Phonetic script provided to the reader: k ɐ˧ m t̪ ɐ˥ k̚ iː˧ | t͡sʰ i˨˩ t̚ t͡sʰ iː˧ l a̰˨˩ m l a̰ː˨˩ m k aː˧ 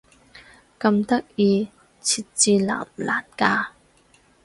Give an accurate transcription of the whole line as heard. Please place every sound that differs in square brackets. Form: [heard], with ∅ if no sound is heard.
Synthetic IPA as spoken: k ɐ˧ m t̪ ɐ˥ k̚ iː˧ | t͡sʰ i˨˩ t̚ [t͡s] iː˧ l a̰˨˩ m l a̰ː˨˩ [n] k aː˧